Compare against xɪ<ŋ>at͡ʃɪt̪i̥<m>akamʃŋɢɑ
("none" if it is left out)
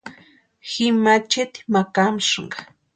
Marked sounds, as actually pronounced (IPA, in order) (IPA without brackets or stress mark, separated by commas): m, m